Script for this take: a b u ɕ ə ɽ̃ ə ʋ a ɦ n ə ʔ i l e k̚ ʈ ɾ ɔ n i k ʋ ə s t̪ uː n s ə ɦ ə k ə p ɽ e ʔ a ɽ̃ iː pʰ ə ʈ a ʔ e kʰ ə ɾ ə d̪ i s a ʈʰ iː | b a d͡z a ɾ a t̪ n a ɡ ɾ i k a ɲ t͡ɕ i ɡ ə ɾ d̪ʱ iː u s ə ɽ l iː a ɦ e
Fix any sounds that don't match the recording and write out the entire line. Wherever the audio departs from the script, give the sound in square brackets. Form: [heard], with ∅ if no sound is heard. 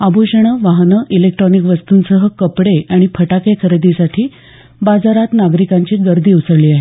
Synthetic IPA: a b u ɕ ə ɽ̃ ə ʋ a ɦ n ə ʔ i l e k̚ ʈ ɾ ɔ n i k ʋ ə s t̪ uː n s ə ɦ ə k ə p ɽ e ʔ a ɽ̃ [i] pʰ ə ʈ a [k] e kʰ ə ɾ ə d̪ i s a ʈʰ iː | b a d͡z a ɾ a t̪ n a ɡ ɾ i k a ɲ t͡ɕ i ɡ ə ɾ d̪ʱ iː u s ə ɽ l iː a ɦ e